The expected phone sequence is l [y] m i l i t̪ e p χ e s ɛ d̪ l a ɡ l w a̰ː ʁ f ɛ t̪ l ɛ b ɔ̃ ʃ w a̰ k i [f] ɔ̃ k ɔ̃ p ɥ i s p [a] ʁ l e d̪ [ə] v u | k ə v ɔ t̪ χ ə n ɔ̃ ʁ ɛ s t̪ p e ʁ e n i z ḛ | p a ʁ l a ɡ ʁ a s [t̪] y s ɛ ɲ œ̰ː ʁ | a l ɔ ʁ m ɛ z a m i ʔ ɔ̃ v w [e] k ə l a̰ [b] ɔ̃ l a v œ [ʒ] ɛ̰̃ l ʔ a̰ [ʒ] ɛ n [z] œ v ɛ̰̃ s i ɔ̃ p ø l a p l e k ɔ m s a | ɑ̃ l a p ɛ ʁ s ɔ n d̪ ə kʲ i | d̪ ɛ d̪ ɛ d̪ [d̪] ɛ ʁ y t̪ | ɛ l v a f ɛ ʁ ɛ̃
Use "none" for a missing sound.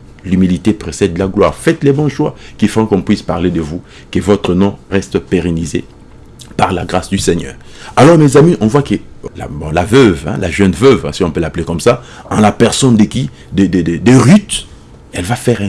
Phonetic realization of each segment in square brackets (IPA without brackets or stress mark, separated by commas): y, f, a, ə, d̪, a, b, v, ʒ, v, d̪